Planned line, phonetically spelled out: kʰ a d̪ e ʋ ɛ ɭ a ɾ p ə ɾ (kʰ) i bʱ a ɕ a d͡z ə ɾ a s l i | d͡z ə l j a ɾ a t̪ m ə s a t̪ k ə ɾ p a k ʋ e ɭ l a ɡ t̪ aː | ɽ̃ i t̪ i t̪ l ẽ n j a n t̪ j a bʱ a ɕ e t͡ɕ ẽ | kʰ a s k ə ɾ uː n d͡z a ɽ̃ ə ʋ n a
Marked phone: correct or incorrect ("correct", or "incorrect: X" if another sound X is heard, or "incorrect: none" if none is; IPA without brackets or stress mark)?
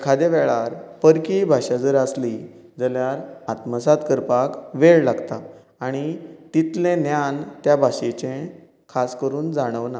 incorrect: k